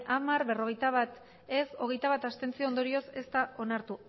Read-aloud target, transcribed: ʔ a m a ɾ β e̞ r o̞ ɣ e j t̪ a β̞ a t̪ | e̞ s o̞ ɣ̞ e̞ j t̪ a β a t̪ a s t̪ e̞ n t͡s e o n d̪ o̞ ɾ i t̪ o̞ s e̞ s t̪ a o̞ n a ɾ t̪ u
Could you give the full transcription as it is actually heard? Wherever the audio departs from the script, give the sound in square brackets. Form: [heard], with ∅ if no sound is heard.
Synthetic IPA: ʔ a m a ɾ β e̞ r o̞ ɣ e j t̪ a β̞ a t̪ | e̞ s o̞ ɣ̞ e̞ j t̪ a β a t̪ a s t̪ e̞ n t͡s [i] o n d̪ o̞ ɾ i [∅] o̞ s e̞ s t̪ a o̞ n a ɾ t̪ u